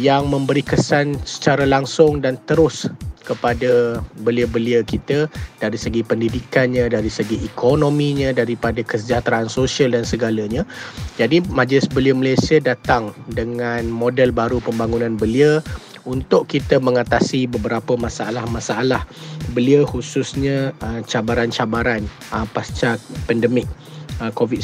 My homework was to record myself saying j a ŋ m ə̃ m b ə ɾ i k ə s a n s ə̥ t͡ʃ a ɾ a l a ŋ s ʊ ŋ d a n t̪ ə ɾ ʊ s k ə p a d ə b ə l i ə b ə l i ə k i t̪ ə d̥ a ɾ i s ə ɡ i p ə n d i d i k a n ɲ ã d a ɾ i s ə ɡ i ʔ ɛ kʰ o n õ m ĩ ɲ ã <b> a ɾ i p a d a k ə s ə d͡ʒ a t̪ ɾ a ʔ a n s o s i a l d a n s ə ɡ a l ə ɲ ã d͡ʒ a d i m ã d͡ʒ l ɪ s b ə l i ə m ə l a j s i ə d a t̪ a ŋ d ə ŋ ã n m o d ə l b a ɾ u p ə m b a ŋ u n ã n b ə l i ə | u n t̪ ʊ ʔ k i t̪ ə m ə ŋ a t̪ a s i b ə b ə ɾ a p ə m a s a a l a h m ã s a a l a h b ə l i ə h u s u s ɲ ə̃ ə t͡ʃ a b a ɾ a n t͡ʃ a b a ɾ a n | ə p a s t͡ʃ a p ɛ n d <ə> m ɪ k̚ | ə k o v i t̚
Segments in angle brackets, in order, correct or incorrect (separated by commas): incorrect, correct